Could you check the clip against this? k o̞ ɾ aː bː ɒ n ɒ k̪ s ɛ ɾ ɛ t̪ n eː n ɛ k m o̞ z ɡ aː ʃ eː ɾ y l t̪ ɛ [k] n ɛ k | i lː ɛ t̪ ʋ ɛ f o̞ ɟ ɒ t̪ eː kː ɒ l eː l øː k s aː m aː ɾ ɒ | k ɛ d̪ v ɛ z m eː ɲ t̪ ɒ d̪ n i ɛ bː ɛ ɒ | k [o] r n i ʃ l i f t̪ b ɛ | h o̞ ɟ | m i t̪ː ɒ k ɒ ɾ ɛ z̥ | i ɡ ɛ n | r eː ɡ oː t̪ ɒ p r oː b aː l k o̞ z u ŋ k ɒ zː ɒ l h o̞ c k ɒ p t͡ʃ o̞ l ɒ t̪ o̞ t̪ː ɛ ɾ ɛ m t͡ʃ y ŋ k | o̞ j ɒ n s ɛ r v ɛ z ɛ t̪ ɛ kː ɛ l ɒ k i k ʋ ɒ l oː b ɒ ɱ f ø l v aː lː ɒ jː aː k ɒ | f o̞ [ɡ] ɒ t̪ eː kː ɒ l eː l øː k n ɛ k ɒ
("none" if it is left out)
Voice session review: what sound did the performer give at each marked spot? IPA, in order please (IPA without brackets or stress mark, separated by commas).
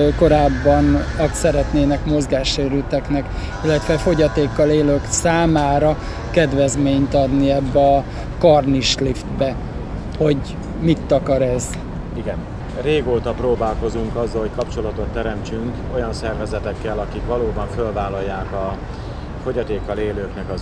k, ɒ, ɟ